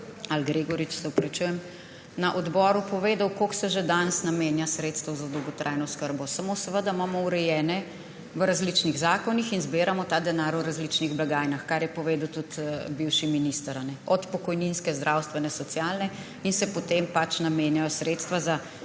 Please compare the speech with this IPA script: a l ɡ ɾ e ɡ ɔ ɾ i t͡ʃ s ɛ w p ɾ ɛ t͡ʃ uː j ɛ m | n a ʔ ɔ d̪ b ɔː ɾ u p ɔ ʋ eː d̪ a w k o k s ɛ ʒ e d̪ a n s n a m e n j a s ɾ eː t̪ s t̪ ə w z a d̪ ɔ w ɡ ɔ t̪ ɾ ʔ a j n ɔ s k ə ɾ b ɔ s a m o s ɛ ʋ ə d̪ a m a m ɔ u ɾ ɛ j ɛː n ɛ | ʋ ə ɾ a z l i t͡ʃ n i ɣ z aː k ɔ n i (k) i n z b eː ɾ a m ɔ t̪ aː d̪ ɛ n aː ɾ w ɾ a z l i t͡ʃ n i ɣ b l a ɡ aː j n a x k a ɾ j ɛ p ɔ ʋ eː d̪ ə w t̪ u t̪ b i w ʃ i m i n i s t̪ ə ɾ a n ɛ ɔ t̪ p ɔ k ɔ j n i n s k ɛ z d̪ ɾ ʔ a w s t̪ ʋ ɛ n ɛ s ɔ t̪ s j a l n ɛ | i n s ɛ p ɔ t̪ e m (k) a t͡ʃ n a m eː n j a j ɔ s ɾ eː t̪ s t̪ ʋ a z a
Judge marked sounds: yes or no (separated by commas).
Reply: no, no